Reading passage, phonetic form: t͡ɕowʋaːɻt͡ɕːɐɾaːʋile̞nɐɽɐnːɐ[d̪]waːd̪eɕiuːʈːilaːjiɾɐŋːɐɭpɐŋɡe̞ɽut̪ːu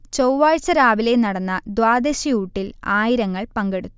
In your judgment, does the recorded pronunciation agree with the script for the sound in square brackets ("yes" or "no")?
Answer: yes